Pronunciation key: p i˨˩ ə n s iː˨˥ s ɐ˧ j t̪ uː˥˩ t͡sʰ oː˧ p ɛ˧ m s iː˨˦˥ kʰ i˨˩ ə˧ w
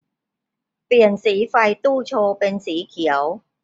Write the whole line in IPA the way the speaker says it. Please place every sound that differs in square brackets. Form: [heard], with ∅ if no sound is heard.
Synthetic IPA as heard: p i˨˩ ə n s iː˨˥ [f] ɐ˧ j t̪ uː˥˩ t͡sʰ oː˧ p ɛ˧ [n] s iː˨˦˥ kʰ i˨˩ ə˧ w